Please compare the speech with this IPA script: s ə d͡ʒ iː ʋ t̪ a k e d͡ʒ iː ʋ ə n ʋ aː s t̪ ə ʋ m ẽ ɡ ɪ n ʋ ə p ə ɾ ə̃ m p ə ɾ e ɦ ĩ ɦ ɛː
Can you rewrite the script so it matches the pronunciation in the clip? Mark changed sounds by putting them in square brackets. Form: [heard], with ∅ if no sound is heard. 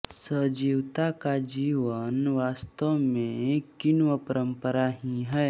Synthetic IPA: s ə d͡ʒ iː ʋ t̪ a k [a] d͡ʒ iː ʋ ə n ʋ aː s t̪ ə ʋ m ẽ [k] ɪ n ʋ ə p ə ɾ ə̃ m p ə ɾ [a] ɦ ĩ ɦ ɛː